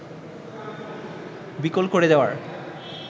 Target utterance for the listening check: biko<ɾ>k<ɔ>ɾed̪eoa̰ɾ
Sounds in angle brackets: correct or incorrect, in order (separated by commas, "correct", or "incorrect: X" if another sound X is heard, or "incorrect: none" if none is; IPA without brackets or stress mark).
incorrect: l, incorrect: o